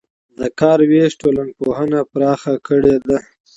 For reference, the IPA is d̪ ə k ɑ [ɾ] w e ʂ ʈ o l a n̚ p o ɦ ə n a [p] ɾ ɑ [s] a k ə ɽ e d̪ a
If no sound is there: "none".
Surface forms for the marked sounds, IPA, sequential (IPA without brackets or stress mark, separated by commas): ɾ, p, x